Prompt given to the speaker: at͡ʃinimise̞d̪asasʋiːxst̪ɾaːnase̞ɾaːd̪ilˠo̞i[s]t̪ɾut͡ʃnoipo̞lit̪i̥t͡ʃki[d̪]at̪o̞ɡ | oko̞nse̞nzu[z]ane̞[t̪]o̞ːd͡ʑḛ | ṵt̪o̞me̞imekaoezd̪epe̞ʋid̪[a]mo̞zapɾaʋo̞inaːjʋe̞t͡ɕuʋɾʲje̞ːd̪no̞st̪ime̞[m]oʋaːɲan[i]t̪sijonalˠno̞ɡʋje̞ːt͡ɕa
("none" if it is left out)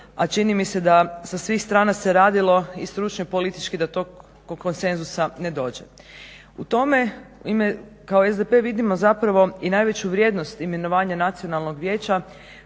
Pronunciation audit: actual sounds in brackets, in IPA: s, d̪, s, d̪, i, n, a

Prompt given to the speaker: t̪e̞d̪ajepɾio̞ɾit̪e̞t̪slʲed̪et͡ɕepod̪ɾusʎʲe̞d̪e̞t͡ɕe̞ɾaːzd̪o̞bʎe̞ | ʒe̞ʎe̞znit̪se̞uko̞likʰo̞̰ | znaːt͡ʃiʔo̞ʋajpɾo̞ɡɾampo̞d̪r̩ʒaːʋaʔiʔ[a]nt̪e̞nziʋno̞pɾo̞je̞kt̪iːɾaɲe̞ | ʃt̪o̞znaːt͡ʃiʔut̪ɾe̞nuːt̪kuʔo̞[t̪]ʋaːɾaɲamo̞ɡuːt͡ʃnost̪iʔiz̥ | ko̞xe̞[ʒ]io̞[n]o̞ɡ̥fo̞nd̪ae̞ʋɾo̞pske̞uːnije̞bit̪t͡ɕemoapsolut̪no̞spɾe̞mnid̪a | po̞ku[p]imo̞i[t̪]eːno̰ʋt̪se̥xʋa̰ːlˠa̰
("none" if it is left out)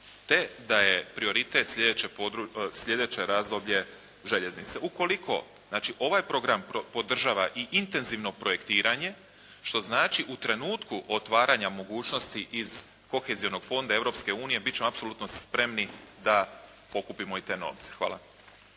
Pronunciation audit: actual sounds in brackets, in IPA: i, t̪, z, n, p, t̪

